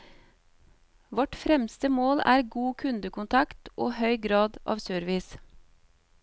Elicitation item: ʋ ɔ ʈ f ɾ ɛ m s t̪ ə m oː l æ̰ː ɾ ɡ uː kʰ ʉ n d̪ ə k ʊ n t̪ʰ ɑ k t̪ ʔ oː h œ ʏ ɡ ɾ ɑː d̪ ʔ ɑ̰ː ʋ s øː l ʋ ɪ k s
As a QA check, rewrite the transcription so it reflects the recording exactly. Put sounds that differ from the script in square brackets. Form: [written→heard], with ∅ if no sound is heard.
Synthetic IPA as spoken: ʋ ɔ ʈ f ɾ ɛ m s t̪ ə m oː l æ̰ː ɾ ɡ uː kʰ ʉ n d̪ ə k ʊ n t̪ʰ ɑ k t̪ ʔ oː h œ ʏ ɡ ɾ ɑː d̪ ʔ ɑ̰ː ʋ s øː [l→ɾ] ʋ ɪ [k→∅] s